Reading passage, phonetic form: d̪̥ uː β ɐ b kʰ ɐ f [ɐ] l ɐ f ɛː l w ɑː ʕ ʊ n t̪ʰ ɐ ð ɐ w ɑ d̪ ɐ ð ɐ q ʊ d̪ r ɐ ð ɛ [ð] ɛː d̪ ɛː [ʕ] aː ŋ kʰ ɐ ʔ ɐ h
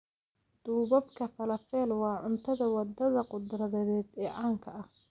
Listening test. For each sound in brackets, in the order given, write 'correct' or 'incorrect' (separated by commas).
correct, correct, correct